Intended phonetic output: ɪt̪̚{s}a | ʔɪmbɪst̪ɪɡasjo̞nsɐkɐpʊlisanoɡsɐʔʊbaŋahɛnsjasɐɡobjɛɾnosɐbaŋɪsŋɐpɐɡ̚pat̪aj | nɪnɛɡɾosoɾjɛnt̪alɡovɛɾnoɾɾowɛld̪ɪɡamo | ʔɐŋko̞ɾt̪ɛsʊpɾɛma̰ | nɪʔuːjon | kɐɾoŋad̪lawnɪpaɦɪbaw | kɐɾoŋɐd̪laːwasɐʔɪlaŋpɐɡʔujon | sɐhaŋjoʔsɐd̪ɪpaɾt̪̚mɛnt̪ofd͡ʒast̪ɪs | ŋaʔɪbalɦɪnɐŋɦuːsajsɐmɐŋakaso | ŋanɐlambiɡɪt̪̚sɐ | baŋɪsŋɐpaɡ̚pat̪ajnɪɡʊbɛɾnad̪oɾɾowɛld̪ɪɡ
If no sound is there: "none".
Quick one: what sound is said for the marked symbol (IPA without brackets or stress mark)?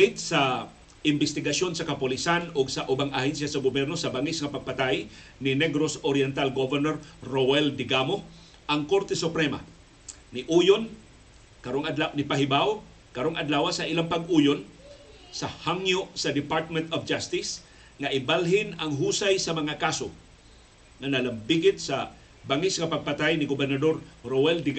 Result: s